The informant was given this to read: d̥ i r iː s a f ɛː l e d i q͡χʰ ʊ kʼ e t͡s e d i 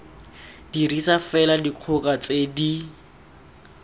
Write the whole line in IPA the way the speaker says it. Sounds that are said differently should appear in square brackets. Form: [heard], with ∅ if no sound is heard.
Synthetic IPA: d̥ i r [i] s a f [ɛ] l [a] d i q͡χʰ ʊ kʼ [a] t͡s e d i